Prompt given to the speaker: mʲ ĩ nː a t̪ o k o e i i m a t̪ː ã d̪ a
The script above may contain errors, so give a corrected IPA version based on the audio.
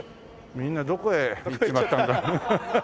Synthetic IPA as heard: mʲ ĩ nː a d̪ o k o e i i m a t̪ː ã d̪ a